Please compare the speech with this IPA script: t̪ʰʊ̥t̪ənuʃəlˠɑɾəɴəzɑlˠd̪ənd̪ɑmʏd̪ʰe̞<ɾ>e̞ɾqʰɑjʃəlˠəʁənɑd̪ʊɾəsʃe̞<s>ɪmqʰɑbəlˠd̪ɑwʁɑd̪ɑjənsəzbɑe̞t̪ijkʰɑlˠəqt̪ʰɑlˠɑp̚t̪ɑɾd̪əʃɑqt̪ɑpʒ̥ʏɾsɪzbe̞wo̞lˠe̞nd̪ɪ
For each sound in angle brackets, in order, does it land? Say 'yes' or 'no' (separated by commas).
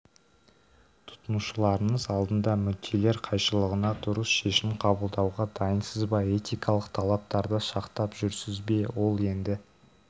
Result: no, no